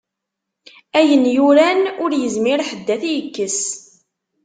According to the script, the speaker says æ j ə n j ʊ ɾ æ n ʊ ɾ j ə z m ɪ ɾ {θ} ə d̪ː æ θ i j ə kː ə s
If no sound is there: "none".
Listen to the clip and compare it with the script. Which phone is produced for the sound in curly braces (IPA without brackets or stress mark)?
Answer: ħ